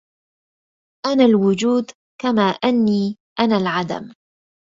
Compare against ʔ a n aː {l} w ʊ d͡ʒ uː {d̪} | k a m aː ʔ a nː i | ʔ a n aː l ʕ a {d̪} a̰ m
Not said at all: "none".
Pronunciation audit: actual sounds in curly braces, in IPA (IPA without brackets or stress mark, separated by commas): l, d̪, d̪